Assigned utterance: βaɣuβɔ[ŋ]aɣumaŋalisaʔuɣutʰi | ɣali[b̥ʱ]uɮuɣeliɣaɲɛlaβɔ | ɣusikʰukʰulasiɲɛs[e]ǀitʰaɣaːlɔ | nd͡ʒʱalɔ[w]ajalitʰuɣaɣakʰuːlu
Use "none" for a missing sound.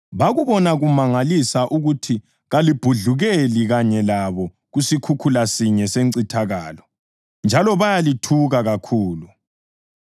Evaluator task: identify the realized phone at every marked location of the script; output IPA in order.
n, b̥ʱ, e, β

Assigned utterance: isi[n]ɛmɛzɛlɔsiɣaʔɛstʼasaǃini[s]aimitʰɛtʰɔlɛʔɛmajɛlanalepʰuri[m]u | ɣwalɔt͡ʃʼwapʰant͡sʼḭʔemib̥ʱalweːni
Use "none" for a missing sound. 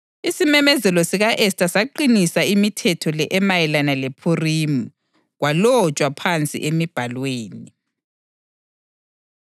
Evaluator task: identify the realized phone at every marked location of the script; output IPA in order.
m, s, m

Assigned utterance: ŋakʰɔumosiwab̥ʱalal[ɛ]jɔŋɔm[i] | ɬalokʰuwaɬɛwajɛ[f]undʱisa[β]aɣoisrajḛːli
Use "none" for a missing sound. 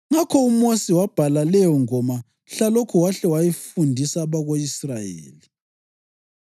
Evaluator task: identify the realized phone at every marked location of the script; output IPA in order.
ɛ, a, f, β

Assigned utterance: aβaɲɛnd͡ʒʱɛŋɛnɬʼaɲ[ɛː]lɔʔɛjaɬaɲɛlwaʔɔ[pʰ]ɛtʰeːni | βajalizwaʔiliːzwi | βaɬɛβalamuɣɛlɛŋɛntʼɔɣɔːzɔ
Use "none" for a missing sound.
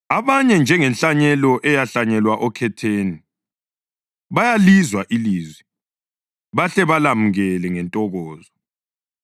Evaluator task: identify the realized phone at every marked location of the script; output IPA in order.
ɛ, kʰ

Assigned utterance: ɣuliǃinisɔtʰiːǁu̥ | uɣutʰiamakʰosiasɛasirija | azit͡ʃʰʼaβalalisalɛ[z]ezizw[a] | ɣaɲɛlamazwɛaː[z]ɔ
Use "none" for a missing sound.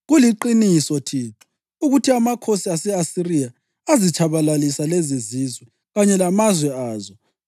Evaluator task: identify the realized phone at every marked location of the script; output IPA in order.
z, ɛ, z

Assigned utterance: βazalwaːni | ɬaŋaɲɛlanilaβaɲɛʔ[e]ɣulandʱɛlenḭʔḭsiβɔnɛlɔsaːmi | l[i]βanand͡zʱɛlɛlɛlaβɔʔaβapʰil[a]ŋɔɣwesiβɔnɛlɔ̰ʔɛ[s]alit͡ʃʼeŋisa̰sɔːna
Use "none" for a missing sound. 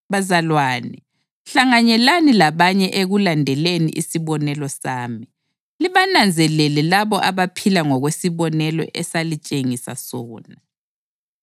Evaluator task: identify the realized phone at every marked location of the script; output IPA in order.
e, i, a, s

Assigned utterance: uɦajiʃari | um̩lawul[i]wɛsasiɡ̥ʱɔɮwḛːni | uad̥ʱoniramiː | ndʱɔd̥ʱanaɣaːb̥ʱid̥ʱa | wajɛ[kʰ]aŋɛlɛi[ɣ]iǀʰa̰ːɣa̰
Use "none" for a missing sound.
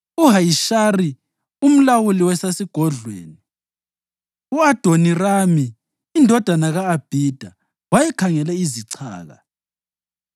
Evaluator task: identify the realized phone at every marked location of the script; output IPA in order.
i, kʰ, z

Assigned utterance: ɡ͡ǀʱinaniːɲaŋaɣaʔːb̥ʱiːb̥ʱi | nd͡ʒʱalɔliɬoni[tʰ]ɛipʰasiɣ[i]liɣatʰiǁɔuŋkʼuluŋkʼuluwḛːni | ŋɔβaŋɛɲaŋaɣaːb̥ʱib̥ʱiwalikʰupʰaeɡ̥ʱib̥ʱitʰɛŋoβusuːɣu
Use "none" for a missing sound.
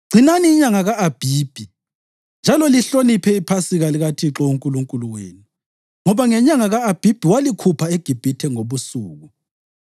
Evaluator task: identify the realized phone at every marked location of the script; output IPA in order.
pʰ, a

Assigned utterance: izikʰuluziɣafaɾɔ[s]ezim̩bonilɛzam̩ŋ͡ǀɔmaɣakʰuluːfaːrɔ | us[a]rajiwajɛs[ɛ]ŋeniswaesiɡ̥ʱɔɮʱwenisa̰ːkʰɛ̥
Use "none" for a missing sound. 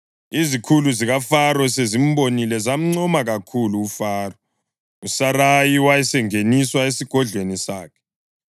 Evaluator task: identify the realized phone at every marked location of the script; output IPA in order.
s, a, ɛ

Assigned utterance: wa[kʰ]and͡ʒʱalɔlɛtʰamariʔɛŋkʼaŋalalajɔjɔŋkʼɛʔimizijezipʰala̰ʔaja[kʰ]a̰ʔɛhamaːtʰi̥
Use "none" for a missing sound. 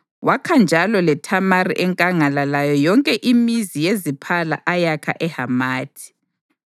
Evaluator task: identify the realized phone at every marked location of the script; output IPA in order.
kʰ, kʰ

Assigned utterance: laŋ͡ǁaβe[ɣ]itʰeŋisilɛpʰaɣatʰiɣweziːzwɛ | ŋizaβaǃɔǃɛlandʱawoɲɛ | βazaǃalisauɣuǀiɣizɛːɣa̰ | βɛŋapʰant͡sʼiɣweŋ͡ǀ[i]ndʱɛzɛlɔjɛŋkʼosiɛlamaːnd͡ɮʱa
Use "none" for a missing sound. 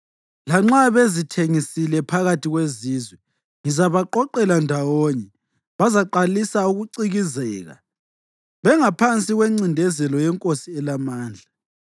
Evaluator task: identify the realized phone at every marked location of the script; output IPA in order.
z, i

